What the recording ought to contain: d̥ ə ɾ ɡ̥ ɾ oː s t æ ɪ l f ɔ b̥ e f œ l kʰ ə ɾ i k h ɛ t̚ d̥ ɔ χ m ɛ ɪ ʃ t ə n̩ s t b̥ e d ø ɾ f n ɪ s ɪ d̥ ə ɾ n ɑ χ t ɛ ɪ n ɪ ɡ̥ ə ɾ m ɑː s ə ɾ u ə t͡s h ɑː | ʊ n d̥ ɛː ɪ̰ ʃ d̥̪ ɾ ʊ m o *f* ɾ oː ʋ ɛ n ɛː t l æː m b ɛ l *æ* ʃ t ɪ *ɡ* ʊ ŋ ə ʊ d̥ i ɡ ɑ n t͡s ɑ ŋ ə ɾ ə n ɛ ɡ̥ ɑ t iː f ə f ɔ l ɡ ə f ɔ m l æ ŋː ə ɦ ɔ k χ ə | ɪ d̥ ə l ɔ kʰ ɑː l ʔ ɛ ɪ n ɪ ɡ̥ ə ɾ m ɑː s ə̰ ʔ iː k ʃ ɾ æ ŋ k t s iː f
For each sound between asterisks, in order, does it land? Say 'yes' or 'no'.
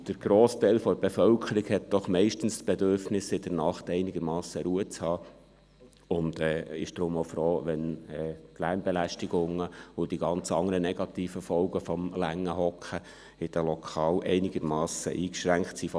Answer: yes, yes, yes

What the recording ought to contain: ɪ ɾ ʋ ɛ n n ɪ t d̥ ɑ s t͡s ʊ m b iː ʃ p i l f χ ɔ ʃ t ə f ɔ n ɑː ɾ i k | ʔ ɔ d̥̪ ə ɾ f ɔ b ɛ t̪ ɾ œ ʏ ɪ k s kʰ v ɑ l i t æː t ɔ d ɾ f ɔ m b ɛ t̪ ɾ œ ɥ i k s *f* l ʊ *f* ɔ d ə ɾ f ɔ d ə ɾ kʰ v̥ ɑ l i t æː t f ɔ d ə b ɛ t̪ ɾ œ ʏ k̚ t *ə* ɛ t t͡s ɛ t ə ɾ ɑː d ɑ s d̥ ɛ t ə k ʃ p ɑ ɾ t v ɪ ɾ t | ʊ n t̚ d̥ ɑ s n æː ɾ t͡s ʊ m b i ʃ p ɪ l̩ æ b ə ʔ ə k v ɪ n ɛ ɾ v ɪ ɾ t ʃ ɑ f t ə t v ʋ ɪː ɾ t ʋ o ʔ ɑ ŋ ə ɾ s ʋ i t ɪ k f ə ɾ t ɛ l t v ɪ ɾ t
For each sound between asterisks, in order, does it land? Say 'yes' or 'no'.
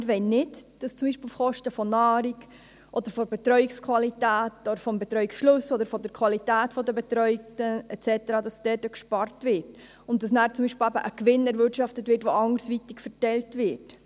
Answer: no, no, yes

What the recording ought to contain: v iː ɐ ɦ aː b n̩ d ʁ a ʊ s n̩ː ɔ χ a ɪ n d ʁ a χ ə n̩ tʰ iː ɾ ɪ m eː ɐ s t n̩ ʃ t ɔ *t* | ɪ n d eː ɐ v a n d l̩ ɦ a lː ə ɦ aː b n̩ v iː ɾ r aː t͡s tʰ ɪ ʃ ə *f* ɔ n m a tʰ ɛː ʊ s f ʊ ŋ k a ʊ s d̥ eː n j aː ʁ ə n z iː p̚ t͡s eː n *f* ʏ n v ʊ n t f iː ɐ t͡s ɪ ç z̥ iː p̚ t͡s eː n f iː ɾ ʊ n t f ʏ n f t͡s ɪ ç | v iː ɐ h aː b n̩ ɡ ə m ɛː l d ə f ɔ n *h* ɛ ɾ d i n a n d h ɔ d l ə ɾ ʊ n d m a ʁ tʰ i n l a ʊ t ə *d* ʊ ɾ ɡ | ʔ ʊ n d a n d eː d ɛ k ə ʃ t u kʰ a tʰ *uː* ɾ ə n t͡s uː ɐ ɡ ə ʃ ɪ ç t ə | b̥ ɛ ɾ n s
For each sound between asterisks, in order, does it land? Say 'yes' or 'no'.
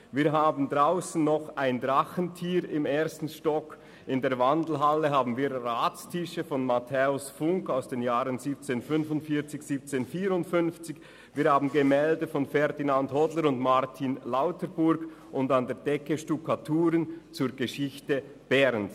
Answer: no, yes, yes, no, no, yes

